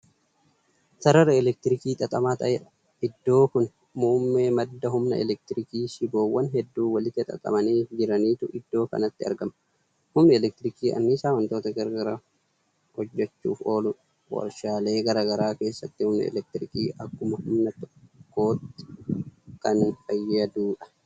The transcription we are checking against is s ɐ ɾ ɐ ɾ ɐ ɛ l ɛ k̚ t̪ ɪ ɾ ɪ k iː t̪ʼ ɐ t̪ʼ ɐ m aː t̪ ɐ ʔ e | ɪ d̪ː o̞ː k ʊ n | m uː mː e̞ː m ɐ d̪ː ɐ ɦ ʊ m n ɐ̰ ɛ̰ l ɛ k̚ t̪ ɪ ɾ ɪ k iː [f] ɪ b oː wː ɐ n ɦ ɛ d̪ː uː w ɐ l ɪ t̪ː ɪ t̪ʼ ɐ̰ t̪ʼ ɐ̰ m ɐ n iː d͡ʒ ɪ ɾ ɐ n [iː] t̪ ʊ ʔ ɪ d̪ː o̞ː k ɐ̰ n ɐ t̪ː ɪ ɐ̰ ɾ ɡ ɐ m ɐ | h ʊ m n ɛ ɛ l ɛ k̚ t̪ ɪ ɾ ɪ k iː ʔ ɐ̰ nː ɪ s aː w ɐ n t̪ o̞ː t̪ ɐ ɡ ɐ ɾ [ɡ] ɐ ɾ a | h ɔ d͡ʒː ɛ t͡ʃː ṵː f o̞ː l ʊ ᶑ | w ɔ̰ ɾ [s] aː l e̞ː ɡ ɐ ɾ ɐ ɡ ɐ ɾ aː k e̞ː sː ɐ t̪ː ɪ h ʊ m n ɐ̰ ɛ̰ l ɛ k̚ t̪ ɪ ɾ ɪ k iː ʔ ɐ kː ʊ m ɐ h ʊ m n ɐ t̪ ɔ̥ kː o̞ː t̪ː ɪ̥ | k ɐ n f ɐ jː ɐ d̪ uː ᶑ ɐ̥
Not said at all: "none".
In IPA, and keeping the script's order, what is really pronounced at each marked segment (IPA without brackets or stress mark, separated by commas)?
ʃ, iː, ɡ, ʃ